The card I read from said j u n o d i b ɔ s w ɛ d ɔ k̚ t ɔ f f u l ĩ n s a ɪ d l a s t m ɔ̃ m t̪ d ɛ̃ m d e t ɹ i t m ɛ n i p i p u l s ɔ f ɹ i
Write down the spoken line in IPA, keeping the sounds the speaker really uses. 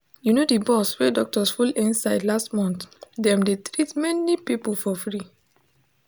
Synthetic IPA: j u n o d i b ɔ s w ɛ d ɔ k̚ t ɔ s f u l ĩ n s a ɪ d l a s t m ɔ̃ n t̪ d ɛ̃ m d e t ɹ i t m ɛ n i p i p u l f ɔ f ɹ i